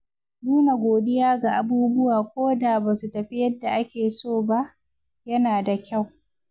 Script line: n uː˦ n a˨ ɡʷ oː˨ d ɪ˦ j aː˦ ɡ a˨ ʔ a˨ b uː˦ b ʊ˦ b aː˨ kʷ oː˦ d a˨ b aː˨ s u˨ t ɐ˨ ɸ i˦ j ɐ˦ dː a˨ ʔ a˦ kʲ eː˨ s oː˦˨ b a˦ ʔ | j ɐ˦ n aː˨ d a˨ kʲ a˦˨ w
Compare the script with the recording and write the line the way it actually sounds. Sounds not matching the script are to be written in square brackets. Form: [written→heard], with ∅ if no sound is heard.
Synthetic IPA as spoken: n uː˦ n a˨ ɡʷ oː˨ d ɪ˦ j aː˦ ɡ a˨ ʔ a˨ b uː˦ b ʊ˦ [b→w] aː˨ kʷ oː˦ d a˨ b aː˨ s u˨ t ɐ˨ ɸ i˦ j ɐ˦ dː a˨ ʔ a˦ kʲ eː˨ s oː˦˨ b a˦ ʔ | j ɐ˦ n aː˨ d a˨ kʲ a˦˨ w